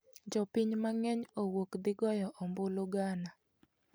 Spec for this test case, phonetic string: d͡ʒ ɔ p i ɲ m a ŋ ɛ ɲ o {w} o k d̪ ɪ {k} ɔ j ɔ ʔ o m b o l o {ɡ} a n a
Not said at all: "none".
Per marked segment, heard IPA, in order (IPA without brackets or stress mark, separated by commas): w, ɡ, ɡ